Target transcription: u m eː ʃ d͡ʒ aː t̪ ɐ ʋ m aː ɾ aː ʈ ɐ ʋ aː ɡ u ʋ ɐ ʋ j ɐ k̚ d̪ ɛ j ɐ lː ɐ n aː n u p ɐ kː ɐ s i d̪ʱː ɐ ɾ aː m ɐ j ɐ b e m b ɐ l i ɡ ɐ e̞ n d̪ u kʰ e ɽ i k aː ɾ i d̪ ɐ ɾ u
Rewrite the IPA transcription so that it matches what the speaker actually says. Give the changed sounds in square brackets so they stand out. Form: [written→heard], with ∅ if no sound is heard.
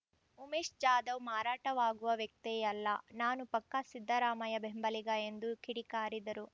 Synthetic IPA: u m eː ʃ d͡ʒ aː [t̪→d̪] ɐ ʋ m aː ɾ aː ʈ ɐ ʋ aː ɡ u ʋ ɐ ʋ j ɐ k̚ [d̪→t̪] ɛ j ɐ lː ɐ n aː n u p ɐ kː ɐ s i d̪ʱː ɐ ɾ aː m ɐ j ɐ b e m b ɐ l i ɡ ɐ e̞ n d̪ u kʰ [e→i] ɽ i k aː ɾ i d̪ ɐ ɾ u